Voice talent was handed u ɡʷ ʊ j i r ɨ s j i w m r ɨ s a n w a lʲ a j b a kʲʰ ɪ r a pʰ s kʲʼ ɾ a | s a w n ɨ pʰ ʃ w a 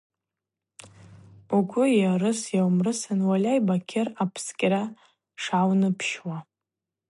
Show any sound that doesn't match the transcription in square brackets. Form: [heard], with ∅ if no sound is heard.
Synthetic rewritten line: u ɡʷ ʊ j [a] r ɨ s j [a] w m r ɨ s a n w a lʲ a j b a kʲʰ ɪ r a pʰ s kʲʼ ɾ a | [ʂ] a w n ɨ pʰ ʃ w a